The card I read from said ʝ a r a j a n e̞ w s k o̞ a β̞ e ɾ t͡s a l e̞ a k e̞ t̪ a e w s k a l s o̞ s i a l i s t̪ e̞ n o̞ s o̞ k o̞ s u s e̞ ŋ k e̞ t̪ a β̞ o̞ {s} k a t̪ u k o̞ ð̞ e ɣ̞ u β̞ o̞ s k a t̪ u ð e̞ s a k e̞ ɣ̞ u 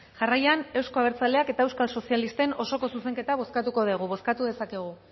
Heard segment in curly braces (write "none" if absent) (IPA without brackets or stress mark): s